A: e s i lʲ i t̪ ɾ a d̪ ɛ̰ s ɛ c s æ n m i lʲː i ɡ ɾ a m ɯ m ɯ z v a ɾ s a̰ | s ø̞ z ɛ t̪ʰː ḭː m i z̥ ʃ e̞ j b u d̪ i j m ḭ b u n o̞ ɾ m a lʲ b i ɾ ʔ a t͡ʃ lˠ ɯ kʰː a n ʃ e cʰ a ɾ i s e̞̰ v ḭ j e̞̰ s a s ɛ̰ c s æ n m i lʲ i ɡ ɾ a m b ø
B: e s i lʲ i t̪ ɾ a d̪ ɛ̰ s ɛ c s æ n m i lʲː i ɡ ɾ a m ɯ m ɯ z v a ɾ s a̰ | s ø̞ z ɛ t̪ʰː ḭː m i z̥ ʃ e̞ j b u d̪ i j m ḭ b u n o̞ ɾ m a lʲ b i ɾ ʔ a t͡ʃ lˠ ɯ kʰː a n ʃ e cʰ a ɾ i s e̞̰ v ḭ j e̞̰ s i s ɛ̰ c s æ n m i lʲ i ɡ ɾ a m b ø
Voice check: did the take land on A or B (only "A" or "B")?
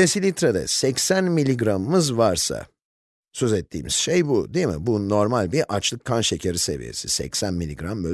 B